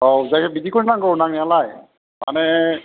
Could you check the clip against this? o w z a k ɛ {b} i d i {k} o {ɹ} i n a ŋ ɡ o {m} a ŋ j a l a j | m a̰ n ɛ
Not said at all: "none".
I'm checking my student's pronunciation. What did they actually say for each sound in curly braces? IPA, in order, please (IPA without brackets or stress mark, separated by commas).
b, k, ɹ, n